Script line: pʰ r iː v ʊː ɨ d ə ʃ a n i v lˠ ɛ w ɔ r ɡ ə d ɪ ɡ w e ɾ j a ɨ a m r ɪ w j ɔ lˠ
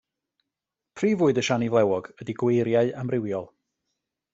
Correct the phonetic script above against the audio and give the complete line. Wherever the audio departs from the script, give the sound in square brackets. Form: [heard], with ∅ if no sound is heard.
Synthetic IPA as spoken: pʰ r iː v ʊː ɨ d ə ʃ a n i v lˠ ɛ w ɔ [∅] ɡ ə d [i] ɡ w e ɾ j a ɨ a m r ɪ w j ɔ lˠ